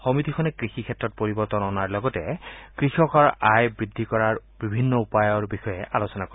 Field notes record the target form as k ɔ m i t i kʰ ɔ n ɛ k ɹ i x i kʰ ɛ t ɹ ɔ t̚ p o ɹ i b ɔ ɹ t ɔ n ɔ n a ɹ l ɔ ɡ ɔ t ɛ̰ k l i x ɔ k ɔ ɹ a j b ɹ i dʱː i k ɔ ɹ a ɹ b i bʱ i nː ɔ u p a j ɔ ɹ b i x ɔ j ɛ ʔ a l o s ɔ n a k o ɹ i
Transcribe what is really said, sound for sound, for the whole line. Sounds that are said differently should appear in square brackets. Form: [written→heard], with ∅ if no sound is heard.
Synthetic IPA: [k→x] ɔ m i t i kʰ ɔ n ɛ k ɹ i x i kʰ ɛ t ɹ ɔ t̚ p o ɹ i b ɔ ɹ t ɔ n ɔ n a ɹ l ɔ ɡ ɔ t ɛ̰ k [l→ɹ] i x ɔ k ɔ ɹ a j b ɹ i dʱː i k ɔ ɹ a ɹ b i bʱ i nː ɔ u p a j ɔ ɹ b i x ɔ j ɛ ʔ a l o s ɔ n a k o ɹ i

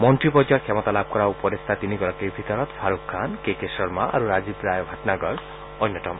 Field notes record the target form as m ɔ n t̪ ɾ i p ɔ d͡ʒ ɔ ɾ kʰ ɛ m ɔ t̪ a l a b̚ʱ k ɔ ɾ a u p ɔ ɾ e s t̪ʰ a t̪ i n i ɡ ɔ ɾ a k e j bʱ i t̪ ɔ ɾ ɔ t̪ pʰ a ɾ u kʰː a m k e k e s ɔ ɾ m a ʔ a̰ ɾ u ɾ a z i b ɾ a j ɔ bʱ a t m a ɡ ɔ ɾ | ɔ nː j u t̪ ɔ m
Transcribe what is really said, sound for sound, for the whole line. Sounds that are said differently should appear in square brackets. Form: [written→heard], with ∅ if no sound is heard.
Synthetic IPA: m ɔ n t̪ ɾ i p ɔ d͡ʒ ɔ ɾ kʰ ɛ m ɔ t̪ a l a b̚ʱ k ɔ ɾ a u p ɔ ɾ e s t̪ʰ a t̪ i n i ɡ ɔ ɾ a k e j bʱ i t̪ ɔ ɾ ɔ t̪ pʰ a ɾ u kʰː a [m→n] k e k e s ɔ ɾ m a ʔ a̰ ɾ u ɾ a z i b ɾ a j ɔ bʱ a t [m→n] a ɡ ɔ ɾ | ɔ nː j [u→ɔ] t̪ ɔ m

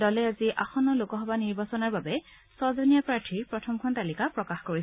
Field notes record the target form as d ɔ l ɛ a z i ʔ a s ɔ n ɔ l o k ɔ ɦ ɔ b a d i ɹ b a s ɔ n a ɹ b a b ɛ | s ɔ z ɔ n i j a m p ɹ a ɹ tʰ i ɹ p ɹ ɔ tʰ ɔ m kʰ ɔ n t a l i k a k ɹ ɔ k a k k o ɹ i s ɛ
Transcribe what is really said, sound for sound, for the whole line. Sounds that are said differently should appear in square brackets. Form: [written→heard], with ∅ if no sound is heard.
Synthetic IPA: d ɔ l ɛ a z i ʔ a [s→x] ɔ n ɔ l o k ɔ ɦ ɔ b a [d→n] i ɹ b a s ɔ n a ɹ b a b ɛ | s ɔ z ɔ n i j a [m→∅] p ɹ a ɹ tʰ i ɹ p ɹ ɔ tʰ ɔ m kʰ ɔ n t a l i k a [k→p] ɹ ɔ k a [k→x] k o ɹ i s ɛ

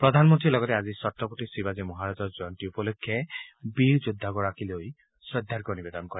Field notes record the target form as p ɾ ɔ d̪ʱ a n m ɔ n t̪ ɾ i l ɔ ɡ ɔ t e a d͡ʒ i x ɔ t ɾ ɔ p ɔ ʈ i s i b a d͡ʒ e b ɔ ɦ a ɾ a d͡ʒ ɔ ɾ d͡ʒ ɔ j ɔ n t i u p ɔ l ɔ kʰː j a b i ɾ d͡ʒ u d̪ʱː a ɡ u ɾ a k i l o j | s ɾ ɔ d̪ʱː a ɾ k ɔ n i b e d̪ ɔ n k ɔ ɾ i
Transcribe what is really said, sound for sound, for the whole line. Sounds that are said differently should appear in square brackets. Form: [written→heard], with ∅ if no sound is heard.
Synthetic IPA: p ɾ ɔ d̪ʱ a n m ɔ n t̪ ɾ i l ɔ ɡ ɔ t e a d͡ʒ i [x→s] ɔ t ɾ ɔ p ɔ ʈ i s i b a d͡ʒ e [b→m] ɔ ɦ a ɾ a d͡ʒ ɔ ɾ d͡ʒ ɔ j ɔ n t i u p ɔ l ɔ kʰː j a b i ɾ d͡ʒ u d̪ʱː a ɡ [u→ɔ] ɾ a k i l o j | s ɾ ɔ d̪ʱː a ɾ k ɔ n i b e d̪ ɔ n k ɔ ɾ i

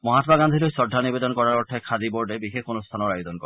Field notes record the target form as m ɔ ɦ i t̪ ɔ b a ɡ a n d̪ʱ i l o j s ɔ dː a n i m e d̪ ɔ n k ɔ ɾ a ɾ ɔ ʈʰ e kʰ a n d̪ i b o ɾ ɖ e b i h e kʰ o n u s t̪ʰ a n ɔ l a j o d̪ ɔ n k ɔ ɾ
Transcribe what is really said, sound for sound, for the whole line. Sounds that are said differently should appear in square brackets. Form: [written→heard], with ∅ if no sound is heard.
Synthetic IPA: m ɔ ɦ [i→a] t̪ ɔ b a ɡ a n d̪ʱ i l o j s ɔ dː a n i [m→b] e d̪ ɔ n k ɔ ɾ a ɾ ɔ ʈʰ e kʰ a [n→∅] d̪ i b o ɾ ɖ e b i [h→x] e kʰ o n u s t̪ʰ a n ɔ [l→ɾ] a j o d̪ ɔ n k ɔ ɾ

